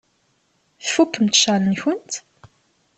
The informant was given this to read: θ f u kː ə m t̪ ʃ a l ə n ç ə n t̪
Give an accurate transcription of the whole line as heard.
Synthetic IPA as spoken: θ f u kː ə m t̪ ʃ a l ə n ç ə n t̪